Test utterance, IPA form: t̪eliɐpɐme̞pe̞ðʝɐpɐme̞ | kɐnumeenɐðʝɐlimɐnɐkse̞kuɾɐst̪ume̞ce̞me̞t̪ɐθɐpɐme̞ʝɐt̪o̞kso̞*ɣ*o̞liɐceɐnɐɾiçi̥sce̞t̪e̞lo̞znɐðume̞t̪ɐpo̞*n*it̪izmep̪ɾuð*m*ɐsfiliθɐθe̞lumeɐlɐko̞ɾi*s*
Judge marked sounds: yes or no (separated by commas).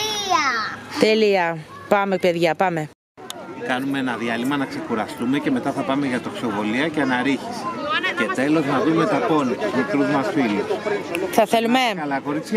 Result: no, yes, yes, no